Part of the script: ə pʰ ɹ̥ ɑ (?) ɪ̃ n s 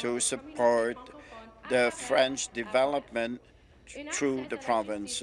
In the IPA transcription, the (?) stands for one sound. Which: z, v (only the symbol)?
v